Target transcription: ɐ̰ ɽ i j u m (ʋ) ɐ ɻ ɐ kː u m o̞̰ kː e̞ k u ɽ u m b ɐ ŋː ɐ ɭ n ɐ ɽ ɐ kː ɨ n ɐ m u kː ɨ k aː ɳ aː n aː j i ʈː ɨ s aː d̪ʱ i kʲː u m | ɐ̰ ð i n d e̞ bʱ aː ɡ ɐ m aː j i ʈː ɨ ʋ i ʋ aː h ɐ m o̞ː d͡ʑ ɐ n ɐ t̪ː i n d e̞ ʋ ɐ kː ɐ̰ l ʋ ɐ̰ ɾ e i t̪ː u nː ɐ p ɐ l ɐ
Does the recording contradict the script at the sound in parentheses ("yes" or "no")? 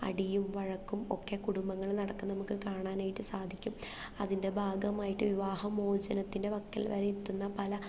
no